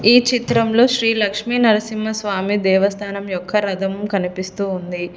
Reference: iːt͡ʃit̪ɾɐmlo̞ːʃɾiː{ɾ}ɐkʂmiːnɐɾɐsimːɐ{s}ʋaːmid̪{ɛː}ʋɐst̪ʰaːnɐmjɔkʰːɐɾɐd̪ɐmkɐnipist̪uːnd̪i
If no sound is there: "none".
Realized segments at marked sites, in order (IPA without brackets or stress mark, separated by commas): l, s, ɛː